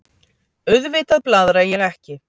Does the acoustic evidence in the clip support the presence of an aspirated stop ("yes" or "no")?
no